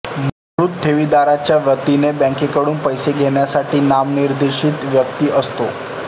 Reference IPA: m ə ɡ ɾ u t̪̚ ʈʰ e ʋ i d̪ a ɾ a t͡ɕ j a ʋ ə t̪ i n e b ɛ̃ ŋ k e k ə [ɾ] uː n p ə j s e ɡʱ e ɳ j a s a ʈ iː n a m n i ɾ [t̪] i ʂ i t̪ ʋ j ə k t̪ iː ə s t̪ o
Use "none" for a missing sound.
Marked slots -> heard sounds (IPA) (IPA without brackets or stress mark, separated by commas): ɽ, d̪